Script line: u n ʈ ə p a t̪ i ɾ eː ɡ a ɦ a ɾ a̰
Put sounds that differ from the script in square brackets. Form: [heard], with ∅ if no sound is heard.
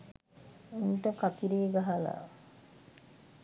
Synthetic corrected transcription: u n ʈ ə [k] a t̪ i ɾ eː ɡ a ɦ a [l] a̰